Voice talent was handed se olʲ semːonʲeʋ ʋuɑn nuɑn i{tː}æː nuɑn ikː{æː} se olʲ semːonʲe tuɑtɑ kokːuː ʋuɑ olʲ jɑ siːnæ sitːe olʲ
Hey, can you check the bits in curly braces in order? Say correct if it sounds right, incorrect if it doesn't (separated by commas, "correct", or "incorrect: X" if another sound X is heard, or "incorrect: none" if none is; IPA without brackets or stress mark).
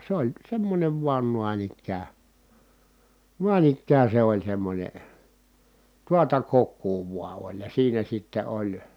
incorrect: kː, correct